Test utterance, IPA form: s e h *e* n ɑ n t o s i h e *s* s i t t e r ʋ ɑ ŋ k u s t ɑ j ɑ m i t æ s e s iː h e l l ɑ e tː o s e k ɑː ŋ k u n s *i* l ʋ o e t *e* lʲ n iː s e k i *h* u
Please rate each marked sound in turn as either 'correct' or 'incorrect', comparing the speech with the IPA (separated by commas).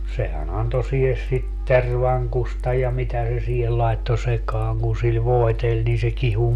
incorrect, correct, correct, correct, correct